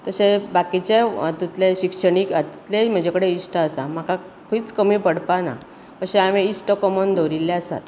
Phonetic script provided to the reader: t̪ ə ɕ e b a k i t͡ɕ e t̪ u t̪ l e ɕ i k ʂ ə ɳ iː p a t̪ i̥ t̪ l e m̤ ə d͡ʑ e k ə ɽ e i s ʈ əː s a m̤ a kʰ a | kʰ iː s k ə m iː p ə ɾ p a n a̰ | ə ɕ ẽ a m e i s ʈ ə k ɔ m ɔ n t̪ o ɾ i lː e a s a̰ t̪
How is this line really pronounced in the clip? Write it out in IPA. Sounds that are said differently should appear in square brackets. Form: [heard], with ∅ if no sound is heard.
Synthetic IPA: t̪ ə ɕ e b a k i t͡ɕ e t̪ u t̪ l e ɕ i k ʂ ə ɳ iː [k] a t̪ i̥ t̪ l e m̤ ə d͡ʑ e k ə ɽ e i s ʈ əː s a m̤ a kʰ a | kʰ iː [t͡s] k ə m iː p ə [ɽ] p a n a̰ | ə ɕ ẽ a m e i s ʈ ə k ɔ m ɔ n [d̪] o ɾ i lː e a s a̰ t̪